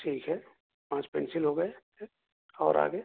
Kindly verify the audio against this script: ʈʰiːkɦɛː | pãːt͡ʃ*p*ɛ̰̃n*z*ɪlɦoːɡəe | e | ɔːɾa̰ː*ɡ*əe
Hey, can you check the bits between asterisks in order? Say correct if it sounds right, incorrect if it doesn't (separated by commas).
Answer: correct, incorrect, correct